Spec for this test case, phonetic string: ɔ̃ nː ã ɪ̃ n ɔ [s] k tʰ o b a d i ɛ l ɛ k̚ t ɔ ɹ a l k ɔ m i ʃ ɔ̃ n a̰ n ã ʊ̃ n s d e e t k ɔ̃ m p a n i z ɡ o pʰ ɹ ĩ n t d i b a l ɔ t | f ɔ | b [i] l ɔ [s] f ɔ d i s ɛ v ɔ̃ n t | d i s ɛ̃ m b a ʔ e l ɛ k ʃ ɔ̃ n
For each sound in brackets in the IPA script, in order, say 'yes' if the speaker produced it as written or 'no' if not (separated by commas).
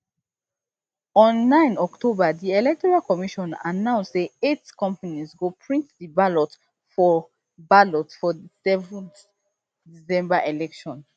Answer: no, no, no